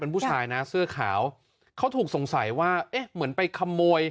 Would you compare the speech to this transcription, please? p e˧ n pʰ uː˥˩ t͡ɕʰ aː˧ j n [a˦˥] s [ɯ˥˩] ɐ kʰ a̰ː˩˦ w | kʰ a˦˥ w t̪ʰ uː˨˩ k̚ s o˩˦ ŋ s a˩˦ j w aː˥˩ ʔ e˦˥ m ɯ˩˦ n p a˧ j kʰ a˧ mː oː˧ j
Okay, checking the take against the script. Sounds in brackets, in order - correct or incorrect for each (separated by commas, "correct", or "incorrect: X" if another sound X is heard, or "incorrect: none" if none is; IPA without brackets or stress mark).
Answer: correct, correct